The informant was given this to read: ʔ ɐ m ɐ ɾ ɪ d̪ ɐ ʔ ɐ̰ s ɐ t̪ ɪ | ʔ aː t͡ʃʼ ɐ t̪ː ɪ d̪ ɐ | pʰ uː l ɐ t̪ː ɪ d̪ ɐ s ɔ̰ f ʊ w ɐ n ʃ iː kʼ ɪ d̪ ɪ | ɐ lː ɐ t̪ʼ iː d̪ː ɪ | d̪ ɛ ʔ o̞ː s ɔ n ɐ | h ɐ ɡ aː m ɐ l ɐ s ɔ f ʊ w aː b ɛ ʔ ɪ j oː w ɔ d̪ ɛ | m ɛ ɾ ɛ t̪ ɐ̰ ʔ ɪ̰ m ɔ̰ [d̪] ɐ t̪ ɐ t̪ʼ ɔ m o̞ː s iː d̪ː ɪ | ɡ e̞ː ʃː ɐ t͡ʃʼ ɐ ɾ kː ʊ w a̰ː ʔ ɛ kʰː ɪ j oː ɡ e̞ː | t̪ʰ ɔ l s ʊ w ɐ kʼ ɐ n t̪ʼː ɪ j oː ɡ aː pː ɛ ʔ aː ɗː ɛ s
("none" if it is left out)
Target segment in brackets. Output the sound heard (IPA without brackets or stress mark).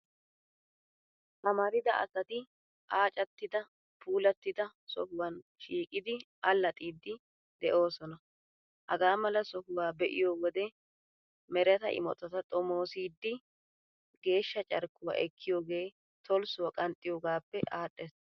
t̪